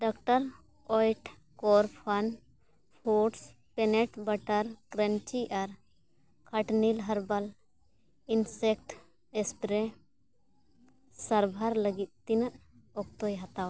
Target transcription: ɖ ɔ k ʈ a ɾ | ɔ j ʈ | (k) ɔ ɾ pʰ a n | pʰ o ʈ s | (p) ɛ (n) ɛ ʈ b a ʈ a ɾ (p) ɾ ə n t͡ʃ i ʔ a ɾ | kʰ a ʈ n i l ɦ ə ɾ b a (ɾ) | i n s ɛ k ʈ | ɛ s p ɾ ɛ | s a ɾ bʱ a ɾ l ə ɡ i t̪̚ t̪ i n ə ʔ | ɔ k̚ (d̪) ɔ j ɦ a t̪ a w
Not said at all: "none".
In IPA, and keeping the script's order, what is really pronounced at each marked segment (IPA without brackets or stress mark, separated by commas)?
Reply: k, p, n, k, l, t̪